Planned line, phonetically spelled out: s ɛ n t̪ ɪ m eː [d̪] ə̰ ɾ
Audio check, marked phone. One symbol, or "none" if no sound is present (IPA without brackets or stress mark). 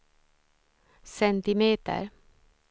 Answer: t̪